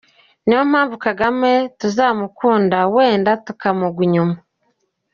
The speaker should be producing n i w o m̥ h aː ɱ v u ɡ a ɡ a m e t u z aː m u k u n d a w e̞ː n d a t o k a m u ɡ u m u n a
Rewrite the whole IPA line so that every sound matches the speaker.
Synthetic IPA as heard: n i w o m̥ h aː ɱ v u k a ɡ a m e t u z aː m u k uː n d a w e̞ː n d a t u k a m u ɡ u ɲ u m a